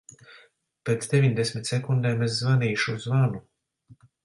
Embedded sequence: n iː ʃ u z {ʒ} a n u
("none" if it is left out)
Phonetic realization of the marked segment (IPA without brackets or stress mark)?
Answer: v